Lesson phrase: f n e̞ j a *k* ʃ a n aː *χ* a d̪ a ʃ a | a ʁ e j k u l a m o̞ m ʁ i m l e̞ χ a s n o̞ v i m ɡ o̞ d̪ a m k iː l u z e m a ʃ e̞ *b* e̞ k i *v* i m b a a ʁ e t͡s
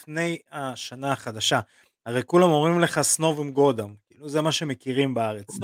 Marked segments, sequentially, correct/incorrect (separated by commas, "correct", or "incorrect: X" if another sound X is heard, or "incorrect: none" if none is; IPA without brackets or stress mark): incorrect: none, correct, incorrect: m, incorrect: ʁ